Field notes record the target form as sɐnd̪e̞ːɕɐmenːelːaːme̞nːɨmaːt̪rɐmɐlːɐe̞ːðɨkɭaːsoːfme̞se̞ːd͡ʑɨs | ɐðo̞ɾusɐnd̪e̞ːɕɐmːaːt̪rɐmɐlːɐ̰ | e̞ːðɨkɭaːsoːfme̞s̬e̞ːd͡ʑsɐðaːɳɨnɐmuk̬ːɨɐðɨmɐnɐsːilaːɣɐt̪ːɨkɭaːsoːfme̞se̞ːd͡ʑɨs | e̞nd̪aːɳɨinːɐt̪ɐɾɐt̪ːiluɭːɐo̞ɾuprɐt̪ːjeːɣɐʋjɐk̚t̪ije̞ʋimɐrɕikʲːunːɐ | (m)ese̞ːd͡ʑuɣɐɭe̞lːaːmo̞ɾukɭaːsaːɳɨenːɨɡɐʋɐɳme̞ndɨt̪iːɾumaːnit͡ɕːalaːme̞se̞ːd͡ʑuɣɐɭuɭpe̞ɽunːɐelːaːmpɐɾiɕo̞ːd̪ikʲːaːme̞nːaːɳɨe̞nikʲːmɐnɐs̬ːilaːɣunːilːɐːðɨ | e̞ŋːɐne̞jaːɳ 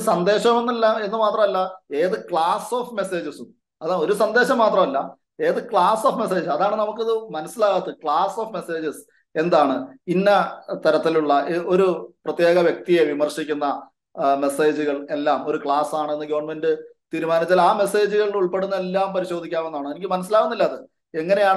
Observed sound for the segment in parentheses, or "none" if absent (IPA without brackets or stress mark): m